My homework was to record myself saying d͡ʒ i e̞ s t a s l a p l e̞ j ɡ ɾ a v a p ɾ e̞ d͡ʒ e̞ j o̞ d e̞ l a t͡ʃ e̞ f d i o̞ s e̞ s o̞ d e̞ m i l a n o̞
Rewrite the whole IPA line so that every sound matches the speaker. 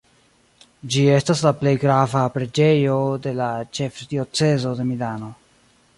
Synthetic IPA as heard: d͡ʒ i e̞ s t a s l a p l e̞ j ɡ ɾ a v a p ɾ e̞ d͡ʒ e̞ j o̞ d e̞ l a t͡ʃ e̞ f d i o̞ t͡s e̞ z o̞ d e̞ m i l a n o̞